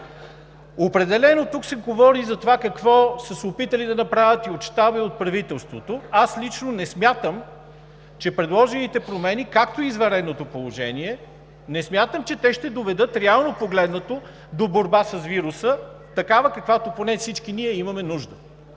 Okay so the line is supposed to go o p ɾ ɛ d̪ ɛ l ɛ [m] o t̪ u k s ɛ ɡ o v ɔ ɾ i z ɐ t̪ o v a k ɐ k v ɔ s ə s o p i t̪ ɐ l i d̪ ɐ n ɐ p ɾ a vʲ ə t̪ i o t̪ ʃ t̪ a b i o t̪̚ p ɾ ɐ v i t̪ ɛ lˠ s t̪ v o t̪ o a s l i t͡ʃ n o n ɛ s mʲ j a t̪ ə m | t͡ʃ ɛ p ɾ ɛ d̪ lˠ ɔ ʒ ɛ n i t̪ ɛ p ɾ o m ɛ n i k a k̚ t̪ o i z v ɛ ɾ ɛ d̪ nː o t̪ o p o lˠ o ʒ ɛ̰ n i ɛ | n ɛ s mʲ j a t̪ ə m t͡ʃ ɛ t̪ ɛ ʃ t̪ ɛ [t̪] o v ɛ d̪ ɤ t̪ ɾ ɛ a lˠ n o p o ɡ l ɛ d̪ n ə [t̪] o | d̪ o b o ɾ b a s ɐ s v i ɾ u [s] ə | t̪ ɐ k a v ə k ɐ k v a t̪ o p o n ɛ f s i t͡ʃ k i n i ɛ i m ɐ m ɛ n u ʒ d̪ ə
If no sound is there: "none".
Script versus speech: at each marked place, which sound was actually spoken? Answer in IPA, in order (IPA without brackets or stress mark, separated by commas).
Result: n, d̪, t̪, s